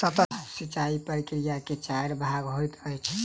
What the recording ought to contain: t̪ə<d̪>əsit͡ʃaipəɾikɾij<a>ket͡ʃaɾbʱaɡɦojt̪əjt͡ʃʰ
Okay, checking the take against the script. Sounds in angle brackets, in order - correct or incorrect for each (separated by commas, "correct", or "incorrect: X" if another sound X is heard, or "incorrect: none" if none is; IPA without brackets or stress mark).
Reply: incorrect: t̪, correct